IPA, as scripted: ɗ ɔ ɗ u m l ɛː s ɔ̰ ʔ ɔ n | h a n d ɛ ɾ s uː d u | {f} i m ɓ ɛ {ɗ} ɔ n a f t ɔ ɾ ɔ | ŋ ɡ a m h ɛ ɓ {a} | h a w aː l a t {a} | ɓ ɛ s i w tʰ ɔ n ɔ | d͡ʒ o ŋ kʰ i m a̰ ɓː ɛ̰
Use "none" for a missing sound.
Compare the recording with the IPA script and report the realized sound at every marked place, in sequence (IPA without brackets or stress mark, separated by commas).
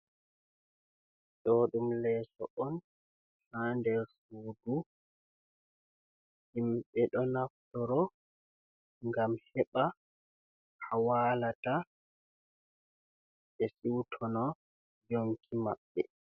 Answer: h, ɗ, a, a